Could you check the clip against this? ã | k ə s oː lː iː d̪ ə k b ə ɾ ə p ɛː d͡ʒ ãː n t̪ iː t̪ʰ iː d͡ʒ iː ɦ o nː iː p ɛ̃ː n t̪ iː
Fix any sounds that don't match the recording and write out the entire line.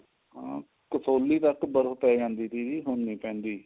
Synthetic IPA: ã | k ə s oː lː iː t̪ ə k b ə ɾ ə p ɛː d͡ʒ ãː n d̪ iː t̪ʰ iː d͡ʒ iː ɦ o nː iː p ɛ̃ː n d̪ iː